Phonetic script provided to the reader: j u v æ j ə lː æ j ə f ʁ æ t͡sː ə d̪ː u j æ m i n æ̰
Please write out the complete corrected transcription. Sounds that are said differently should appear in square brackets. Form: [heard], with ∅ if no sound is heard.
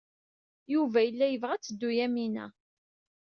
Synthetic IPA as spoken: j u v æ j ə lː æ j ə [v] ʁ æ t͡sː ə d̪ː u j æ m i n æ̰

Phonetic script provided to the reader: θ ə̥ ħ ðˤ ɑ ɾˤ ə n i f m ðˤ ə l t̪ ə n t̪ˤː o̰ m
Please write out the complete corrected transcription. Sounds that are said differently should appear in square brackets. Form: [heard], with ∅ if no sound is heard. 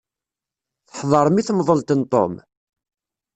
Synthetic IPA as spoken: θ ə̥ ħ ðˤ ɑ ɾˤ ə [m] i [θ] m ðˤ ə l t̪ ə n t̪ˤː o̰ m

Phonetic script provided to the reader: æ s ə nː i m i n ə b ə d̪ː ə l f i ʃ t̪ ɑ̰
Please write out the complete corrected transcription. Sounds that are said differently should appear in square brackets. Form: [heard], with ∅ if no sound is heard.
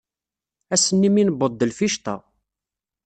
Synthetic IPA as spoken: æ s ə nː i m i n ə b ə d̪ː ə l f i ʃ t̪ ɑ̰

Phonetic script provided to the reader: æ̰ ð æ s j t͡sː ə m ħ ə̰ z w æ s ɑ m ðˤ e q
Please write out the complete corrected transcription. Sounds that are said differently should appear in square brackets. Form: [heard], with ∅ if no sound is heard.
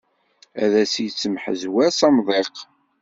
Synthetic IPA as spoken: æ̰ ð æ s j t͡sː ə m ħ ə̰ z w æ s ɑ m ðˤ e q

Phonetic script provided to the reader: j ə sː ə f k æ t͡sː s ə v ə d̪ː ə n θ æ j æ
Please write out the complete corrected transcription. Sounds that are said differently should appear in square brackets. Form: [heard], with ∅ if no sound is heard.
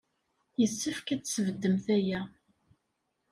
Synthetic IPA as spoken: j ə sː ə f k æ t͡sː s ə v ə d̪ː ə [m] θ æ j æ

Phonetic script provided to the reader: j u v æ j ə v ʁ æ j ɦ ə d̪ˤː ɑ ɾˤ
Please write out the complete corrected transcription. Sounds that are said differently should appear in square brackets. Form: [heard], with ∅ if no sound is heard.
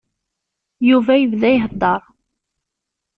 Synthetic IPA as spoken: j u v æ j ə v [ð] æ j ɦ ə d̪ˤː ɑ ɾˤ

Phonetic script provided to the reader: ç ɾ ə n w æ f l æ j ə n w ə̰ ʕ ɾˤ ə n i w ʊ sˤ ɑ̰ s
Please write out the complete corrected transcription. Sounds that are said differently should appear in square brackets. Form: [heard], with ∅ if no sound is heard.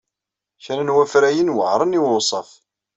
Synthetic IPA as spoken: ç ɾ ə n w æ f [ɾ] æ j ə n w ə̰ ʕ ɾˤ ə n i w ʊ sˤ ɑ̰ [f]

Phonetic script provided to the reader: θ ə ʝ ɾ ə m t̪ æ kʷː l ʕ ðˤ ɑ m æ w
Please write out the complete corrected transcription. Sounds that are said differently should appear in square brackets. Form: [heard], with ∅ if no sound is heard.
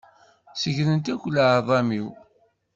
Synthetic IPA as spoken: [s] ə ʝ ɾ ə [n] t̪ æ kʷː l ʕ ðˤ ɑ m [i] w

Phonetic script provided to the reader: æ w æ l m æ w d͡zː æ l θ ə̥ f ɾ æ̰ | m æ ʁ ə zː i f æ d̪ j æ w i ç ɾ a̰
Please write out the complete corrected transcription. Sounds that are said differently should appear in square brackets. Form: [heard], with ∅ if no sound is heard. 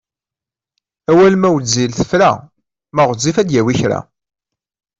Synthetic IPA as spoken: æ w æ l m æ w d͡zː [i] l θ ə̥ f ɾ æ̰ | m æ ʁ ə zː i f æ d̪ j æ w i ç ɾ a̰

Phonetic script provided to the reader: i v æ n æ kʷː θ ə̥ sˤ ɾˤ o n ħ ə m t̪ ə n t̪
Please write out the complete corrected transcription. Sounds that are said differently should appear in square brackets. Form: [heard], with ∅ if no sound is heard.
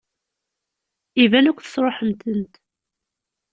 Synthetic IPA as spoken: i v æ n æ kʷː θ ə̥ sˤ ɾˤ o [∅] ħ ə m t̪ ə n t̪

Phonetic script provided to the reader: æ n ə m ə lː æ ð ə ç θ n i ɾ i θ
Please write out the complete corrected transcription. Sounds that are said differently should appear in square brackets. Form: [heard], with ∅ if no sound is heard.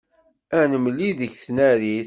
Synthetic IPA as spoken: æ n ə m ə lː [i] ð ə ç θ n [æ] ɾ i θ

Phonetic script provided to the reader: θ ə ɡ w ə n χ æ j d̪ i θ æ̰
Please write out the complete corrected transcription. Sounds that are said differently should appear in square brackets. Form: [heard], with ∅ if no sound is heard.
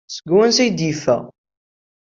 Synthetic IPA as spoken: [s] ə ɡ w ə n [s] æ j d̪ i [f] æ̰

